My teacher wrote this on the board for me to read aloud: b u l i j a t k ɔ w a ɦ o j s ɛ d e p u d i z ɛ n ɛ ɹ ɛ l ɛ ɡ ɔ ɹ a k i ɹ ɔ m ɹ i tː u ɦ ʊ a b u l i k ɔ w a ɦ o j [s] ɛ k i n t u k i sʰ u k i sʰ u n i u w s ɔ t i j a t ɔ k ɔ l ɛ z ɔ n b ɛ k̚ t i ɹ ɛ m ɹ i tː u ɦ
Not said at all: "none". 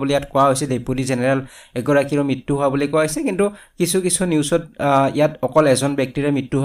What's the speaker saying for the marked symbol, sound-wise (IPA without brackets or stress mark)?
s